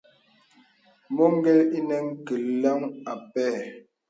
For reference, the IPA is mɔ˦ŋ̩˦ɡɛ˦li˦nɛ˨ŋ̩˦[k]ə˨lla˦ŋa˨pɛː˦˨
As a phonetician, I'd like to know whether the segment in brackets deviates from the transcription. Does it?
no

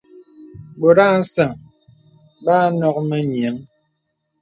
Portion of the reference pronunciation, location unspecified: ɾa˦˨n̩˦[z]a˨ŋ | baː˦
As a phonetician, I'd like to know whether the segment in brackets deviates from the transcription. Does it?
yes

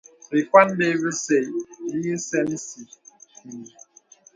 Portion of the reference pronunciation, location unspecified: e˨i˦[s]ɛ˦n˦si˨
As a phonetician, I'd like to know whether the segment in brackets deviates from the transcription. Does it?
no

